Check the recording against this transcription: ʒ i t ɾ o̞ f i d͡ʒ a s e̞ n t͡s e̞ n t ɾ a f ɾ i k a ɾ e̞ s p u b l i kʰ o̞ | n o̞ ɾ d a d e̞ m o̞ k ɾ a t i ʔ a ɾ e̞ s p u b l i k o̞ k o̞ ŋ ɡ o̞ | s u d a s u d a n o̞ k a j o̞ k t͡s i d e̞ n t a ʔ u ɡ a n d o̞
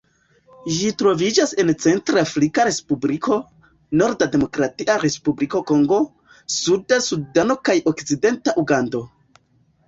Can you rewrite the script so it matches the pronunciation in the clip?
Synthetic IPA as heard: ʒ i t ɾ o̞ v i d͡ʒ a s e̞ n t͡s e̞ n t ɾ a f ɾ i k a ɾ e̞ s p u b l i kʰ o̞ | n o̞ ɾ d a d e̞ m o̞ k ɾ a t i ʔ a ɾ e̞ s p u b l i k o̞ k o̞ ŋ ɡ o̞ | s u d a s u d a n o̞ k a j o̞ k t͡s i d e̞ n t a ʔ u ɡ a n d o̞